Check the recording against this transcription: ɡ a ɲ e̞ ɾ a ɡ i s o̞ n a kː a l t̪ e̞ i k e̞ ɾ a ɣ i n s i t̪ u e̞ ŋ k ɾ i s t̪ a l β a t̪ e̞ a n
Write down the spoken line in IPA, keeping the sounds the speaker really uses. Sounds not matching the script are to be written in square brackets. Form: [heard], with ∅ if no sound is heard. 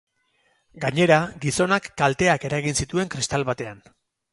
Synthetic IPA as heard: ɡ a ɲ e̞ ɾ a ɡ i s o̞ n a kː a l t̪ e̞ [a] k e̞ ɾ a ɣ i n s i t̪ u e̞ ŋ k ɾ i s t̪ a l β a t̪ e̞ a n